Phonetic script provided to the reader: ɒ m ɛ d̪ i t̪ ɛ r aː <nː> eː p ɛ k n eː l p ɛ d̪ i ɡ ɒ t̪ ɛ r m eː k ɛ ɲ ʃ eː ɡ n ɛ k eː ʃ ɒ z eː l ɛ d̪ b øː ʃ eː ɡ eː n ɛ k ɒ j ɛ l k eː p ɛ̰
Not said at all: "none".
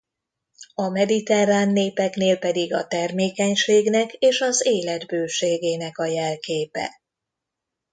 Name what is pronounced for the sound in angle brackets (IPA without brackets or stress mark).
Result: nː